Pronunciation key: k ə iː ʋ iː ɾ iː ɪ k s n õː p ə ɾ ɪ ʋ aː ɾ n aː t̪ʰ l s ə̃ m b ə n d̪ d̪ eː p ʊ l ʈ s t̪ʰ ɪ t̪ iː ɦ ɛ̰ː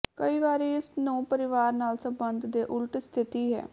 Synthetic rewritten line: k ə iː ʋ aː ɾ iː ɪ s n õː p ə ɾ ɪ ʋ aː ɾ n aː l s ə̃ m b ə n d̪ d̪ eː ʔ ʊ l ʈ s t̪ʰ ɪ t̪ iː ɦ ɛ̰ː